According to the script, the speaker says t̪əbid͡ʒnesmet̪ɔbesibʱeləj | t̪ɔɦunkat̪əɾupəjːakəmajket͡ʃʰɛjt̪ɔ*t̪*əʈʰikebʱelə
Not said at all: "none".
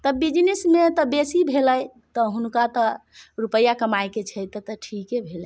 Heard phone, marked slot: t̪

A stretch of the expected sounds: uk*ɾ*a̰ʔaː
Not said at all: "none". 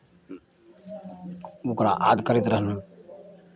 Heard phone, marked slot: ɾ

